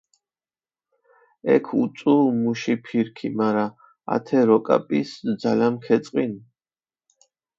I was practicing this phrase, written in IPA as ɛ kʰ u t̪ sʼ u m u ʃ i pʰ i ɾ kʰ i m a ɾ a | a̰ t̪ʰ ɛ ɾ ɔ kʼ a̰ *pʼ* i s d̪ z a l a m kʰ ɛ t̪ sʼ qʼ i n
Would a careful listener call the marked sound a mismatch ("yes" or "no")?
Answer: no